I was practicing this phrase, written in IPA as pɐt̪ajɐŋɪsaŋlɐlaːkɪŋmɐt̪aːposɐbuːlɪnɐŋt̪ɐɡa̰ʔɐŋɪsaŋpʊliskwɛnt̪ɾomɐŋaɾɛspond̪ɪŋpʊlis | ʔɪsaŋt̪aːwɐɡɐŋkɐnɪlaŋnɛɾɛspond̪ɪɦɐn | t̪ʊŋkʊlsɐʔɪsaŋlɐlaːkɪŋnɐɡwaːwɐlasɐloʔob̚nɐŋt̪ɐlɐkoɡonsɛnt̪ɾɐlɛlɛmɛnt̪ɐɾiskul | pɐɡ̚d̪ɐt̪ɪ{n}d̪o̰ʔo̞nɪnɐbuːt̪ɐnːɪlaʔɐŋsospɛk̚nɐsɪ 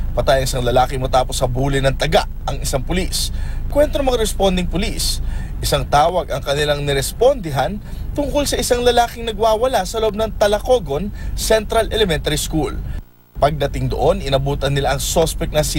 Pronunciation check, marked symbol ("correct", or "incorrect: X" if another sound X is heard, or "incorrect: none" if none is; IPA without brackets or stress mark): incorrect: ŋ